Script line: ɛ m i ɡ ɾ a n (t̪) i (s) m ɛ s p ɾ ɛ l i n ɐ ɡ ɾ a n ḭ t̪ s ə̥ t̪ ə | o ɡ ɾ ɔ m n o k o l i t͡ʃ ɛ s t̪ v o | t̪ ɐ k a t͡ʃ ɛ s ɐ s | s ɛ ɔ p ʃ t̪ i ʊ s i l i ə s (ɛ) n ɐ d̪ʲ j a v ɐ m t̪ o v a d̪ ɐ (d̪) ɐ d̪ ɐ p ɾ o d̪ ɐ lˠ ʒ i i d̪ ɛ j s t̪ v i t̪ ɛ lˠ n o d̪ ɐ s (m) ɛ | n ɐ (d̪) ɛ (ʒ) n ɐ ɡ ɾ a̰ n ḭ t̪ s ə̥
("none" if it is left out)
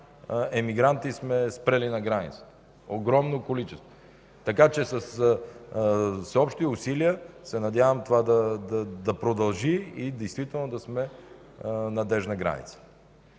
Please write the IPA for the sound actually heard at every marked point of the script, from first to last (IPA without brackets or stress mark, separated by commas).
t̪, s, ɛ, d̪, m, d̪, ʒ